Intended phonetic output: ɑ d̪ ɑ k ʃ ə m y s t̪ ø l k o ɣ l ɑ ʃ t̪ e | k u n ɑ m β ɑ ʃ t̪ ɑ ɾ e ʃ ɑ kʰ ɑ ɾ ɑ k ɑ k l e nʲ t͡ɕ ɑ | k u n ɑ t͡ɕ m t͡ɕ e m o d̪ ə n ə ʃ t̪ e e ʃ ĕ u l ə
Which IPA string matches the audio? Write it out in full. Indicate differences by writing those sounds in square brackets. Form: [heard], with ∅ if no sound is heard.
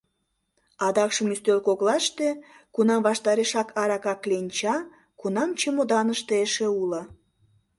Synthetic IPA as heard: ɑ d̪ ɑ k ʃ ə m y s t̪ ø l k o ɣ l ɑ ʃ t̪ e | k u n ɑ m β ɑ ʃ t̪ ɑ ɾ e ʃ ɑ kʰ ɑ ɾ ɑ k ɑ k l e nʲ t͡ɕ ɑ | k u n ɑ [∅] m t͡ɕ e m o d̪ [ɑ] n ə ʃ t̪ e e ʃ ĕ u l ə